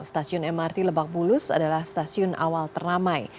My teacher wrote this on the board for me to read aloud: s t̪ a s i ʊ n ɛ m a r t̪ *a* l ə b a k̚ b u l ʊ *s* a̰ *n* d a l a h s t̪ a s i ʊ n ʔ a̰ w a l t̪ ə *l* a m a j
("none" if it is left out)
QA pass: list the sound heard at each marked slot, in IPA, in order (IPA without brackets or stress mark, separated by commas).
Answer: i, s, none, r